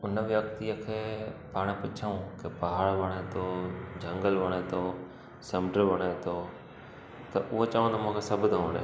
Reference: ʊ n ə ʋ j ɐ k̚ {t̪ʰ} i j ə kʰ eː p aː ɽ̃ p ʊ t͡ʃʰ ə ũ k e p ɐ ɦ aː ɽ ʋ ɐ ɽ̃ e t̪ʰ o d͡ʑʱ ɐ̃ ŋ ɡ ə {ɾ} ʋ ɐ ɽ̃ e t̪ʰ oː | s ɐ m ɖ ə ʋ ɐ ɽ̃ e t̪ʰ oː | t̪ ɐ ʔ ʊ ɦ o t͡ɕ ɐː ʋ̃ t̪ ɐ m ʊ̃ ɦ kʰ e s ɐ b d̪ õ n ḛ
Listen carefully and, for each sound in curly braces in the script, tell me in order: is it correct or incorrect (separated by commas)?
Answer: incorrect, incorrect